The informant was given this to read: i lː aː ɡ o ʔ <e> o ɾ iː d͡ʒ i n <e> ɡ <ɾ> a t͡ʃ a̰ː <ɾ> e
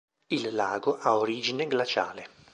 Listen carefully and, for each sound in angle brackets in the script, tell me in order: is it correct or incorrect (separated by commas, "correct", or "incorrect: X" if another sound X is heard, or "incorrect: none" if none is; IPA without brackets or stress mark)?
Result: incorrect: a, correct, incorrect: l, incorrect: l